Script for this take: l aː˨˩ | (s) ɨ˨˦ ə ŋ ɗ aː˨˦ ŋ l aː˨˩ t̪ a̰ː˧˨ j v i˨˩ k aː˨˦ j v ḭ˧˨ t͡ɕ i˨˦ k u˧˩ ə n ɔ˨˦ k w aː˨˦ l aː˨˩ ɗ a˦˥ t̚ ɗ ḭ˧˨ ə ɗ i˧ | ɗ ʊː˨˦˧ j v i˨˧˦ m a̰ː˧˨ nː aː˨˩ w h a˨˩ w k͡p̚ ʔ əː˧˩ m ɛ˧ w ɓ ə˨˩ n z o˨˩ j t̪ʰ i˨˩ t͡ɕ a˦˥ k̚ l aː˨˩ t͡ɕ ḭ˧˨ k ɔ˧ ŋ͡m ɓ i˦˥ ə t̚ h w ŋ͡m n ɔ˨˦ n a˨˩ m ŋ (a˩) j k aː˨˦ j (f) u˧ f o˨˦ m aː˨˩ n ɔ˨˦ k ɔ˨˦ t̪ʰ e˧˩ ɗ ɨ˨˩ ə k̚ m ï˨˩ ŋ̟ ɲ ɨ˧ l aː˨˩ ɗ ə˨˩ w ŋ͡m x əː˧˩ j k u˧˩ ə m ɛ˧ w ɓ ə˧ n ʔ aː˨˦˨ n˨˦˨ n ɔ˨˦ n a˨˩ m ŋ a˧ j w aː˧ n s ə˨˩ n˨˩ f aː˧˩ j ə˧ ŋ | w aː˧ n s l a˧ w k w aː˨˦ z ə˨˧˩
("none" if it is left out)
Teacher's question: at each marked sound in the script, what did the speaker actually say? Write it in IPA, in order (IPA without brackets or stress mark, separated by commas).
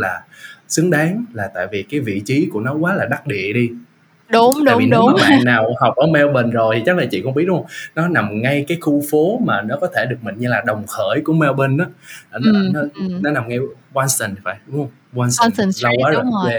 s, a˧, x